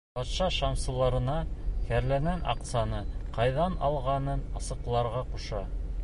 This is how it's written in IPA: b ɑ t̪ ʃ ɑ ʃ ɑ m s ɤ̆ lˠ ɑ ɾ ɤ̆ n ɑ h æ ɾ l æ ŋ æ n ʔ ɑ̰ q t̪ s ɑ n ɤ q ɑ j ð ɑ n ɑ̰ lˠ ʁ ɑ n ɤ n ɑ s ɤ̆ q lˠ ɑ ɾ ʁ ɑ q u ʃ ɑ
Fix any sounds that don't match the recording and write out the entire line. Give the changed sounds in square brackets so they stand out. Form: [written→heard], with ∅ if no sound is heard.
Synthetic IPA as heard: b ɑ t̪ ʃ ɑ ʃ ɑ m s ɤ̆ lˠ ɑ ɾ ɤ̆ n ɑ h æ ɾ l æ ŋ æ n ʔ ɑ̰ q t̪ s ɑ n ɤ q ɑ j ð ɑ n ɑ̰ lˠ ʁ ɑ n ɤ n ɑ s ɤ̆ q lˠ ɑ ɾ ʁ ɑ q u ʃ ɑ